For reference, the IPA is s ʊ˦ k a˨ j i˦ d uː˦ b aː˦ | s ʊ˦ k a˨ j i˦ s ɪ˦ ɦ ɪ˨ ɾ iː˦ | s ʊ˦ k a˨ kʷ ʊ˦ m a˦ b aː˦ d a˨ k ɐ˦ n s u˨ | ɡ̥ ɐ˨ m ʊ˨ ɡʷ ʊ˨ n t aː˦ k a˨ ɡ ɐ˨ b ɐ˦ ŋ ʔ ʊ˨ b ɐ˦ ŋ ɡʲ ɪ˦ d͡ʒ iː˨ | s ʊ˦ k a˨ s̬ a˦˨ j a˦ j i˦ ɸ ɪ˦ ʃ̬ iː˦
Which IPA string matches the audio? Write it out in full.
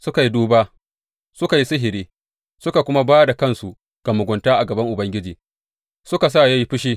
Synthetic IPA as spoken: s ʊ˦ k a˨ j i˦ d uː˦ b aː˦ | s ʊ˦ k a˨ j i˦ s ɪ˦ ɦ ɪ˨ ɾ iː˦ | s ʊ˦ k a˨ kʷ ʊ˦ m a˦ b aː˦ d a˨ k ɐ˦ n s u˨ | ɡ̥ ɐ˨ m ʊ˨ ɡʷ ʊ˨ n t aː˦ ʔ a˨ ɡ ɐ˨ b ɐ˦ ŋ ʔ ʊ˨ b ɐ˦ ŋ ɡʲ ɪ˦ d͡ʒ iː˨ | s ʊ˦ k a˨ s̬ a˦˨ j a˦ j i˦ ɸ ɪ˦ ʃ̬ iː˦

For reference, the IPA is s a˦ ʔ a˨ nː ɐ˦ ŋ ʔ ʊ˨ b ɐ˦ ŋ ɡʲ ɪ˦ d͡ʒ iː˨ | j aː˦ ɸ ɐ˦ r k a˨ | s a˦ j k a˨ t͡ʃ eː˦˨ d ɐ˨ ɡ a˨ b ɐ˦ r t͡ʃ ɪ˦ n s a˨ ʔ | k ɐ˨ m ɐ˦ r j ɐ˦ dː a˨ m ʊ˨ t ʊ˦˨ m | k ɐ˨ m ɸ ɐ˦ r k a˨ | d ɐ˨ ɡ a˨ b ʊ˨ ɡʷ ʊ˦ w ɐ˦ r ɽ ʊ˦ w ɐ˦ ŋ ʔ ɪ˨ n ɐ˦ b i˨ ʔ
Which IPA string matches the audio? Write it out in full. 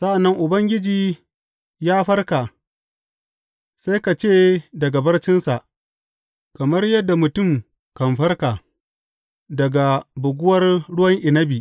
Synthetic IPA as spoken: s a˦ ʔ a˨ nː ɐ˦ ŋ ʔ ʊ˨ b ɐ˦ ŋ ɡʲ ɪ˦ d͡ʒ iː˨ | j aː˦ ɸ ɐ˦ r k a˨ | s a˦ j k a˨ t͡ʃ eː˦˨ d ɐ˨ ɡ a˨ b ɐ˦ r t͡ʃ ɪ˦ n s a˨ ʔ | k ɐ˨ m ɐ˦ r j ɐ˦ dː a˨ m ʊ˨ t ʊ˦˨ m | k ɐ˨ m ɸ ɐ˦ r k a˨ | d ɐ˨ ɡ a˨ b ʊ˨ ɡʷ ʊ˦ w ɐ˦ r ɽ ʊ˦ w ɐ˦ ŋ ʔ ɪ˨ n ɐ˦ b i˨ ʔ

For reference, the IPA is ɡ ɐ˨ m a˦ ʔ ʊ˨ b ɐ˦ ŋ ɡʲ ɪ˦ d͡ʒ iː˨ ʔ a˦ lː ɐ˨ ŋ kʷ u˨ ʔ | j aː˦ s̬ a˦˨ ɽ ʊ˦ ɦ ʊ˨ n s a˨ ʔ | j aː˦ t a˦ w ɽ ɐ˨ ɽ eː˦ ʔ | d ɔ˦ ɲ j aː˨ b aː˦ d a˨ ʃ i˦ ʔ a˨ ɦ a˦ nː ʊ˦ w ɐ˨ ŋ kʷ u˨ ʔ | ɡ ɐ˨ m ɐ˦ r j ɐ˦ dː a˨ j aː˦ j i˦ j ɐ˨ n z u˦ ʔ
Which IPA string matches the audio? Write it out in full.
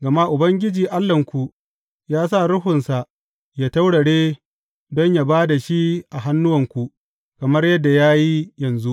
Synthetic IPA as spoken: ɡ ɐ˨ m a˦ ʔ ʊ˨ b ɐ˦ ŋ ɡʲ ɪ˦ d͡ʒ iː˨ ʔ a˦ lː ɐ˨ ŋ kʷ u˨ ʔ | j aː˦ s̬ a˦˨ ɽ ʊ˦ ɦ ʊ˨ n s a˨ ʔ | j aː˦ t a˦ w ɽ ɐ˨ ɽ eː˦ | d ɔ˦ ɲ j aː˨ b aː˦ d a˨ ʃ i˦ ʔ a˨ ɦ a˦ nː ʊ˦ w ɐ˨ ŋ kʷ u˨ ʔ | k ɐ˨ m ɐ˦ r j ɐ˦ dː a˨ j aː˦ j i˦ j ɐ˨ n z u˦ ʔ

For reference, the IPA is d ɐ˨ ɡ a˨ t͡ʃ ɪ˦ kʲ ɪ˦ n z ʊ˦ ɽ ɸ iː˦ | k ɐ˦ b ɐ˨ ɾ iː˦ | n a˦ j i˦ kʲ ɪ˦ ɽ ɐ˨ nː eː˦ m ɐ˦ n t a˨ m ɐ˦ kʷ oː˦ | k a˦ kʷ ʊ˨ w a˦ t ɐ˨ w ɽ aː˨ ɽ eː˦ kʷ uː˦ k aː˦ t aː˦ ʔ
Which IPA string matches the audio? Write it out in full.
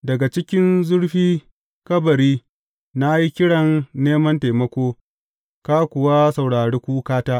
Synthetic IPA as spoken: d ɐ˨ ɡ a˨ t͡ʃ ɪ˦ kʲ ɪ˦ n z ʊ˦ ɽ ɸ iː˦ | k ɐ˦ b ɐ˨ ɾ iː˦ | n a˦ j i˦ kʲ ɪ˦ ɽ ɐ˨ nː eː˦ m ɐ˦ n t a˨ m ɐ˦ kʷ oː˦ | k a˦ kʷ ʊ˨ w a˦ s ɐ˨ w ɽ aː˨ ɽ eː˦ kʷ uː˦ k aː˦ t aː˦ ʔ

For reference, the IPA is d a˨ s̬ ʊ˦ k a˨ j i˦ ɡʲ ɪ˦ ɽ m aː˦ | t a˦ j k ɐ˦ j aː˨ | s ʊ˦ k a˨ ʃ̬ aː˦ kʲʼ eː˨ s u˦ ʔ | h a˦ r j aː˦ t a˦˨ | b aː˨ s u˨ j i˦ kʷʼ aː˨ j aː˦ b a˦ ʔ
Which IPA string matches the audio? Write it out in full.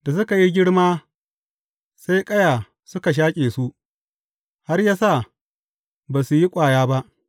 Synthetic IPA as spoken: d a˨ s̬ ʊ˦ k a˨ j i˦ ɡʲ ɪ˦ ɽ m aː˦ | s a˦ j kʼ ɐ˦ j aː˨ | s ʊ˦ k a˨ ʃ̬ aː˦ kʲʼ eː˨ s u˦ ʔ | h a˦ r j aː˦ s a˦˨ | b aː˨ s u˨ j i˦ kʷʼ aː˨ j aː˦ b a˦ ʔ

